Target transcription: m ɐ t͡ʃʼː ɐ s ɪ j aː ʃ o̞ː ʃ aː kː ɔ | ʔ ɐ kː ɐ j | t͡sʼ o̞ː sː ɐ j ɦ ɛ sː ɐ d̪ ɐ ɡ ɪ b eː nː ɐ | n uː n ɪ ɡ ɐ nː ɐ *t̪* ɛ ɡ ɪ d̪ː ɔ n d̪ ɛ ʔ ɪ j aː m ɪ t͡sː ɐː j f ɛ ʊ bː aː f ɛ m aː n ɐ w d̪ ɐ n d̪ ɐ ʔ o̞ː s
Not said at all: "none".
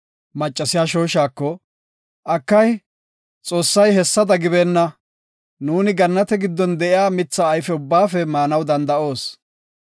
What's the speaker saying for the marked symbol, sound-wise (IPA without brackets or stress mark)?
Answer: t̪